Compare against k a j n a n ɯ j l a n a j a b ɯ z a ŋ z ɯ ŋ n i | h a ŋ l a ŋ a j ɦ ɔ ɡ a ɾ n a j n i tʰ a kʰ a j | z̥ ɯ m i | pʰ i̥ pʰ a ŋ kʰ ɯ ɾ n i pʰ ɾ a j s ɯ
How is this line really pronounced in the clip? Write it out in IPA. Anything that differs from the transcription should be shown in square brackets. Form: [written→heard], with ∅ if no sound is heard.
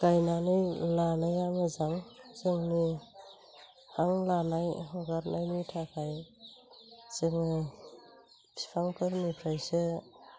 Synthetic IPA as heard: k a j n a n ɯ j l a n a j a [b→m] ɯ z a ŋ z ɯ ŋ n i | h a ŋ l a [ŋ→n] a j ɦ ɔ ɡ a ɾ n a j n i tʰ a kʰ a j | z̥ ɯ [m→ŋ] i | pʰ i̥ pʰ a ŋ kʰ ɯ ɾ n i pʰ ɾ a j s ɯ